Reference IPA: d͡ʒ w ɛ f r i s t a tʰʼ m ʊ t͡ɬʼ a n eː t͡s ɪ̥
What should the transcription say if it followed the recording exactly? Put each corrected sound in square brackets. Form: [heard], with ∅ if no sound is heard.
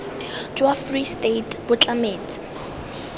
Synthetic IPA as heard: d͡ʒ w [a] f r i s t [e] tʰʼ [b] ʊ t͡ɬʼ a [m] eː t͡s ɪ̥